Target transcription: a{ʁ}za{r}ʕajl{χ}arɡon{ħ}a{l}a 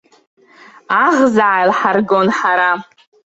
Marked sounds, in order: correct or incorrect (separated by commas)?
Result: correct, incorrect, incorrect, correct, incorrect